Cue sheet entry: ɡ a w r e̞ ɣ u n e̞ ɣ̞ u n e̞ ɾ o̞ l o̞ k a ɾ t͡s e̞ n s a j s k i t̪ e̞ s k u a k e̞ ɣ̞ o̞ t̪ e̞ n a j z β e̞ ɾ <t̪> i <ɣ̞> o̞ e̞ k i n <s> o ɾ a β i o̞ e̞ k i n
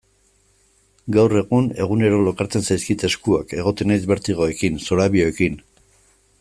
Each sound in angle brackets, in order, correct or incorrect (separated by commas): correct, correct, correct